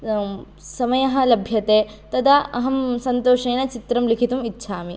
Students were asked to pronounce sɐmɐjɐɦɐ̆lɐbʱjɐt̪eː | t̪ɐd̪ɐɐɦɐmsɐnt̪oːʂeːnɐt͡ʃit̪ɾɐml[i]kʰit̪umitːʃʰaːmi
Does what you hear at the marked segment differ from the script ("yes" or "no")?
no